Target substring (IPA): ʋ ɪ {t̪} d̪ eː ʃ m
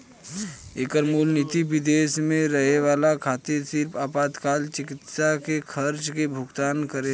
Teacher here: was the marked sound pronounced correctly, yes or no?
no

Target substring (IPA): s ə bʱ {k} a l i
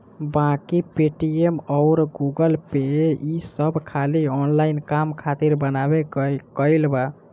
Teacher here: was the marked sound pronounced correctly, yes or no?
no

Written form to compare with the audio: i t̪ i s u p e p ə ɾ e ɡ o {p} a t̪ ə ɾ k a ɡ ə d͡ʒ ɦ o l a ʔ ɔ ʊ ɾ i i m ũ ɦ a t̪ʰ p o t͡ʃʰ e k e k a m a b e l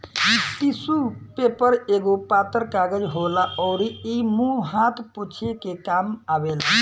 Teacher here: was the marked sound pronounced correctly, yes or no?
yes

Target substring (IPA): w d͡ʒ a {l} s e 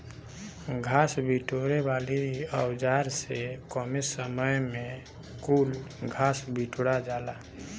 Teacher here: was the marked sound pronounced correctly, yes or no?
no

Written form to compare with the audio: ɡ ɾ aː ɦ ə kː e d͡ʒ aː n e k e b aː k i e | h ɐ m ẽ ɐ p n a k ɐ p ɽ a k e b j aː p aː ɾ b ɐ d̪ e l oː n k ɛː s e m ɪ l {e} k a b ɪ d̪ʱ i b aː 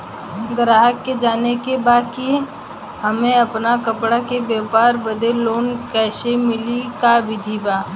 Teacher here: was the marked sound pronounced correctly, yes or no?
no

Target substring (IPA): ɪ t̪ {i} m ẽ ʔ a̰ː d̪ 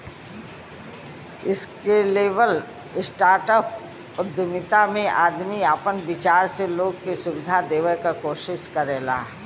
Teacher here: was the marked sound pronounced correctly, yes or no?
no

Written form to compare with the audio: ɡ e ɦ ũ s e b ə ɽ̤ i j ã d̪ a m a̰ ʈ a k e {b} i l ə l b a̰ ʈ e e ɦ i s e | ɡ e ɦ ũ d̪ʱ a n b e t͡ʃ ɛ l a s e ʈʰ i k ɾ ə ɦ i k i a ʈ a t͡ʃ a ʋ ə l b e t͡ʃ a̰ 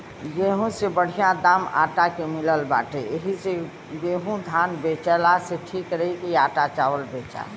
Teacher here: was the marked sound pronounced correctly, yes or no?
no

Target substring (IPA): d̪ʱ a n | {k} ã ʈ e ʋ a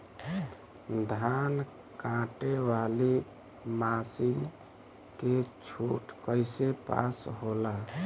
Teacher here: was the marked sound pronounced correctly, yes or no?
yes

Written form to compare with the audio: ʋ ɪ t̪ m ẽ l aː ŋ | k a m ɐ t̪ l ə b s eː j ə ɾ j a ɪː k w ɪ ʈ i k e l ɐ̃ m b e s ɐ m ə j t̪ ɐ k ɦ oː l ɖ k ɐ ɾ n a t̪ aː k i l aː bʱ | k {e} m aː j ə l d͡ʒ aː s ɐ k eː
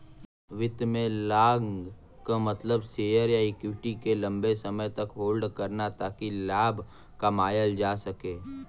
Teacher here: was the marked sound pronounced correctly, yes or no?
no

